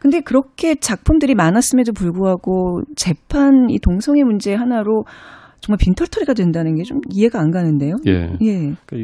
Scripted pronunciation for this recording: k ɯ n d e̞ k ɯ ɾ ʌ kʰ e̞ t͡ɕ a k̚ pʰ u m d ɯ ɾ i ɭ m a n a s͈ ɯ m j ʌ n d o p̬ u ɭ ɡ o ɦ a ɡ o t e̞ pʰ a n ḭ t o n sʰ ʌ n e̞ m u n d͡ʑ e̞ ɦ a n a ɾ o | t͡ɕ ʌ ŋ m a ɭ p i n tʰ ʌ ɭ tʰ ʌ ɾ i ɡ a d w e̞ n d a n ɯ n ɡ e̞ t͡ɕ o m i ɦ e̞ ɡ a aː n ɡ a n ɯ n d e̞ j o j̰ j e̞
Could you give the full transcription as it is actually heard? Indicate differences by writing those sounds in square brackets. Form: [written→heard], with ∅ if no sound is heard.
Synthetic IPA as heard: k ɯ n d e̞ k ɯ ɾ ʌ kʰ e̞ t͡ɕ a k̚ pʰ u m d ɯ ɾ i [ɭ→∅] m a n a s͈ ɯ m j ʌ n d o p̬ u ɭ ɡ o ɦ a ɡ o [t→t͡ɕ] e̞ pʰ a n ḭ t o [n→ŋ] sʰ ʌ [n→ŋ] e̞ m u n d͡ʑ e̞ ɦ a n a ɾ o | t͡ɕ ʌ ŋ m a ɭ p i n tʰ ʌ ɭ tʰ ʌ ɾ i ɡ a d w e̞ n d a n ɯ n ɡ e̞ t͡ɕ o m i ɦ e̞ ɡ a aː n ɡ a n ɯ n d e̞ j o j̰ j e̞